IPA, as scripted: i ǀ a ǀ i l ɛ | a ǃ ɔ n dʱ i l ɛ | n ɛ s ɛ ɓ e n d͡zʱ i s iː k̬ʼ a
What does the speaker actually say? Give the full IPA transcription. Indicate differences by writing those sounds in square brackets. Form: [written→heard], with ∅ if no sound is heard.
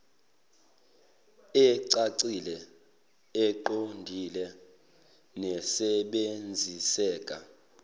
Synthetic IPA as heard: [i→ɛ] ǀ a ǀ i l ɛ | [a→ɛ] ǃ [ɔ→o] n dʱ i l ɛ | n ɛ s ɛ ɓ e n d͡zʱ i s [iː→ɛː] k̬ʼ a